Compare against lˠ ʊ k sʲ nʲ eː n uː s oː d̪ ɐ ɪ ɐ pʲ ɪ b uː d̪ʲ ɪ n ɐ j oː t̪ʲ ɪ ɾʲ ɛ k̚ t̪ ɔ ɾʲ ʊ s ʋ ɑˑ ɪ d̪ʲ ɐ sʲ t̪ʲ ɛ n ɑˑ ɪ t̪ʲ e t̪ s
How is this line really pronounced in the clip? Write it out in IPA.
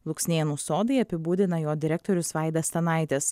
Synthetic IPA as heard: lˠ ʊ k sʲ nʲ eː n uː s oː d̪ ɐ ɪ ɐ pʲ ɪ b uː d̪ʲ ɪ n ɐ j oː d̪ʲ ɪ ɾʲ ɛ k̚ t̪ ɔ ɾʲ ʊ s ʋ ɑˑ ɪ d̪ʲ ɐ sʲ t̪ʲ ɛ n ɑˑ ɪ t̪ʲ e s